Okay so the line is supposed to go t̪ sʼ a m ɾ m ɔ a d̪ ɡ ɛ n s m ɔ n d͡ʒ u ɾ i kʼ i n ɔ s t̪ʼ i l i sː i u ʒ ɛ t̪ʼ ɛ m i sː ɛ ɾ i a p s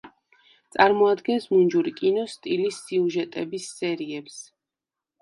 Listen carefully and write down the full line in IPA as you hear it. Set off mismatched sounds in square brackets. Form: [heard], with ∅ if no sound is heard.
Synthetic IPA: t̪ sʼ a [∅] ɾ m ɔ a d̪ ɡ ɛ n s m [u] n d͡ʒ u ɾ i kʼ i n ɔ s t̪ʼ i l i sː i u ʒ ɛ t̪ʼ ɛ [b] i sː ɛ ɾ i [ɛ] p s